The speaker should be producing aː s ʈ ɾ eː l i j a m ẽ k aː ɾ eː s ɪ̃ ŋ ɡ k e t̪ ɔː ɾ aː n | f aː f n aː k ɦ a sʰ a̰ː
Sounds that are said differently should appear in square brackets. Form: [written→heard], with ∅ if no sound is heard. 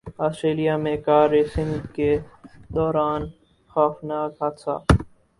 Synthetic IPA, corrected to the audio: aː s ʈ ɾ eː l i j a m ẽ k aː ɾ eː s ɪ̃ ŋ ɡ k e [t̪→d̪] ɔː ɾ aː n | [f→x] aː f n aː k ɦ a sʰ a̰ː